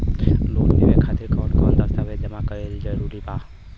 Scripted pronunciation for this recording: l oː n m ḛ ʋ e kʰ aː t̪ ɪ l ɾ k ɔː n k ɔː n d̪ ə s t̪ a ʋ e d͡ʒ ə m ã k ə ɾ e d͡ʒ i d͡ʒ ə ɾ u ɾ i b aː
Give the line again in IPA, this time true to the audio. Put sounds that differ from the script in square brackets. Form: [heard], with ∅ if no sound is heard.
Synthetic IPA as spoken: l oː n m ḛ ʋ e kʰ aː t̪ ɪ [∅] ɾ k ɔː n k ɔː n d̪ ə s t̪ a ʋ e d͡ʒ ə m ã k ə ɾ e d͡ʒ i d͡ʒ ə ɾ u ɾ i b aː